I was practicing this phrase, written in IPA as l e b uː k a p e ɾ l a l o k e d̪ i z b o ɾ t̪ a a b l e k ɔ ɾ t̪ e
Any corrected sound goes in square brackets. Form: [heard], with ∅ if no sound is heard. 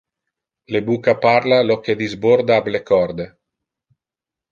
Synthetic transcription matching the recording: l e b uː k a p [a] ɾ l a l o k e d̪ i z b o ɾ [d̪] a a b l e k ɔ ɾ [d̪] e